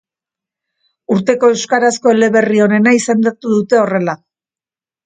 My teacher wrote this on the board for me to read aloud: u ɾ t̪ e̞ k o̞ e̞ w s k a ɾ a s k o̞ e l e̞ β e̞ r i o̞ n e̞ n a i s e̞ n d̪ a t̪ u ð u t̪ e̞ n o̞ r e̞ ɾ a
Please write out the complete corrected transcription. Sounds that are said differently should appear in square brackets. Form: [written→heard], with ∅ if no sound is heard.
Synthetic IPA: u ɾ t̪ e̞ k o̞ e̞ w s k a ɾ a s k o̞ e l e̞ β e̞ r i o̞ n e̞ n a i s e̞ n d̪ a t̪ u ð u t̪ e̞ [n→∅] o̞ r e̞ [ɾ→l] a